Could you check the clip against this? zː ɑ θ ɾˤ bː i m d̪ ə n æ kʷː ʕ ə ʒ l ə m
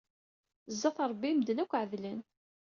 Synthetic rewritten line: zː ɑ θ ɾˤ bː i m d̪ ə n æ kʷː ʕ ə ð l ə n